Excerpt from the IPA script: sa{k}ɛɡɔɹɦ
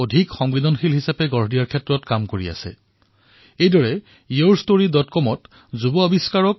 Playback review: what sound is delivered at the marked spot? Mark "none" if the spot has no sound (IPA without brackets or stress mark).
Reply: p